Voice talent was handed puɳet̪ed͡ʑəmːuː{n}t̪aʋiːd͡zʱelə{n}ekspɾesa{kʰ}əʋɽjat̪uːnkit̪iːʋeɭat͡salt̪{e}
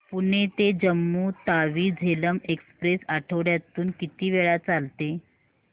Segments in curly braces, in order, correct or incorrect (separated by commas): incorrect, incorrect, incorrect, correct